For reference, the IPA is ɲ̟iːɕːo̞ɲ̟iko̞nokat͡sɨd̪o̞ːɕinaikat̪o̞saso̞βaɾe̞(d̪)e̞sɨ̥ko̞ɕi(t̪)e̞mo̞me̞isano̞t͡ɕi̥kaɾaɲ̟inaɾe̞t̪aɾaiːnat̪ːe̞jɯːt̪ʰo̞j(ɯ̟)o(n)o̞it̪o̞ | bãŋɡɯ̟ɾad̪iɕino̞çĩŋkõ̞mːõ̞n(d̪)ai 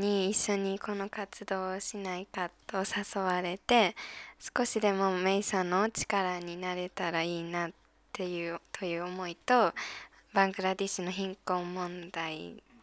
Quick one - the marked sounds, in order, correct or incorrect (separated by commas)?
incorrect, incorrect, incorrect, incorrect, correct